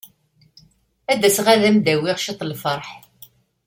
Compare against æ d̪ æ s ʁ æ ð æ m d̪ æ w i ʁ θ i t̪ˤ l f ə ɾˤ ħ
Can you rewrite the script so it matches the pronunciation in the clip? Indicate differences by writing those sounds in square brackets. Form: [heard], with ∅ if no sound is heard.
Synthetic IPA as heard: æ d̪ æ s ʁ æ ð æ m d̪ æ w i ʁ [ʃ] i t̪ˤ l f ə ɾˤ ħ

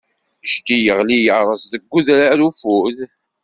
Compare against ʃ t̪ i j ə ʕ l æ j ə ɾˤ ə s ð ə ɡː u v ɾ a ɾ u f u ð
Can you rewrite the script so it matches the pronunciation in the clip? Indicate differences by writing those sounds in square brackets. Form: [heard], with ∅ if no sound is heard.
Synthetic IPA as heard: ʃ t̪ i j ə [ʁ] l [i] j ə ɾˤ ə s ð ə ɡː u [ð] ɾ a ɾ u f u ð

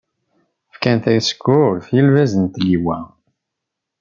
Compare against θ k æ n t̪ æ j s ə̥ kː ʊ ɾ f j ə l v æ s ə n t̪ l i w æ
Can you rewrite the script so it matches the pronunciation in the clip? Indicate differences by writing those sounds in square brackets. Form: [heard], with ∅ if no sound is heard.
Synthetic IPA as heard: [f] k æ n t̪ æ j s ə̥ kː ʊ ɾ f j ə l v æ [z] ə n t̪ l i w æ

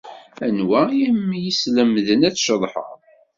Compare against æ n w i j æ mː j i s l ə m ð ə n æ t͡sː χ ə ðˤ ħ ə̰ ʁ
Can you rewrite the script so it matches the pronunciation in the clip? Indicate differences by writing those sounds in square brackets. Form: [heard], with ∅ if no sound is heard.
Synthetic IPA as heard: æ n w [æ] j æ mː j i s l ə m ð ə n æ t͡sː [ʃ] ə ðˤ ħ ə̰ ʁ

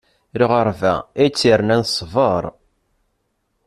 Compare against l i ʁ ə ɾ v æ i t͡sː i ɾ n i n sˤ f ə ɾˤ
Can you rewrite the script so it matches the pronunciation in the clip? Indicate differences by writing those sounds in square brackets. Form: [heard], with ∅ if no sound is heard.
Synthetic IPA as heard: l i ʁ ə ɾ v æ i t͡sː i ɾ n [æ] n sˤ [v] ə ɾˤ

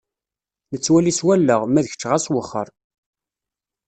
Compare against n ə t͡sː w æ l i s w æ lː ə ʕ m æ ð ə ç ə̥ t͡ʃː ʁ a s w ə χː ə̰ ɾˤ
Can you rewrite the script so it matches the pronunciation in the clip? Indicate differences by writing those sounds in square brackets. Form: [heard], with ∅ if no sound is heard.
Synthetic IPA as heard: n ə t͡sː w æ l i s w æ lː ə [ʁ] m æ ð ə ç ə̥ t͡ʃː ʁ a s w ə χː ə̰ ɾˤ

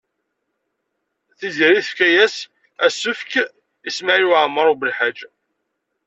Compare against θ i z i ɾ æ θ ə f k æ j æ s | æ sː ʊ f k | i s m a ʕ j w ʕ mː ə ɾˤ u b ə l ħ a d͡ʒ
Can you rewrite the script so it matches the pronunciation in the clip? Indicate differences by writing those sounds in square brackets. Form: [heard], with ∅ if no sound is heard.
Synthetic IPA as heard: θ i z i ɾ [i] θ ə f k æ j æ s | æ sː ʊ f k | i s m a ʕ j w ʕ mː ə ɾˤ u b ə l ħ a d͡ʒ

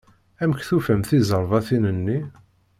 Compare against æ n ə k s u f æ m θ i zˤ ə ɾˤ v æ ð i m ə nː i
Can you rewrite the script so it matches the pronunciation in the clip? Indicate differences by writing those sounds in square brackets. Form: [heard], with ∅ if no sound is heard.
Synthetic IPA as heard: æ [m] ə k [θ] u f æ m θ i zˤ ə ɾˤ v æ [θ] i [n] ə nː i

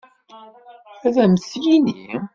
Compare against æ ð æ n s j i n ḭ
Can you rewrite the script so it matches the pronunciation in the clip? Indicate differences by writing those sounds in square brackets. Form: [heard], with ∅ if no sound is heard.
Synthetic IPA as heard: æ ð æ [m] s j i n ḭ

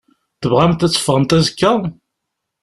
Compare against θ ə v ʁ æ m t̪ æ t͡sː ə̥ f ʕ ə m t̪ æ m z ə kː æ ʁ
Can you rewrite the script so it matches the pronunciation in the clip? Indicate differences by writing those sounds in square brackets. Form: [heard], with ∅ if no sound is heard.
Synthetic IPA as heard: θ ə v ʁ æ m t̪ æ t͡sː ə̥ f [ʁ] ə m t̪ æ [∅] z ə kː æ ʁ

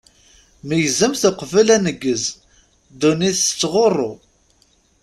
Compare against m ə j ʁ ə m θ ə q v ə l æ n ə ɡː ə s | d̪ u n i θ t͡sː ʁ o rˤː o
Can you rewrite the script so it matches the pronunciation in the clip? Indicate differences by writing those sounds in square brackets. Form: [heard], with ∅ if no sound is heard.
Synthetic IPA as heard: m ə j [z] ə m θ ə q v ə l æ n ə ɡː ə [z] | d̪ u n i θ t͡sː ʁ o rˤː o

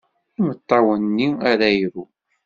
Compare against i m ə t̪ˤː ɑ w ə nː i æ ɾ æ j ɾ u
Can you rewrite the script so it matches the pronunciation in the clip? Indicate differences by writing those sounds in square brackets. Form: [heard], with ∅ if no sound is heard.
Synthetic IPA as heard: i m ə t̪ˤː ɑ w ə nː i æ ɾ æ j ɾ u

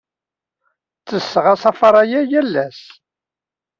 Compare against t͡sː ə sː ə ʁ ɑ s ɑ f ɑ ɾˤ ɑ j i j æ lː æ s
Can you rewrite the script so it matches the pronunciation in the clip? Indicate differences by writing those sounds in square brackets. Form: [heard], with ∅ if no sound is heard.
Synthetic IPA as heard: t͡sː ə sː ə ʁ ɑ s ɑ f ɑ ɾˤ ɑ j [æ] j æ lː æ s

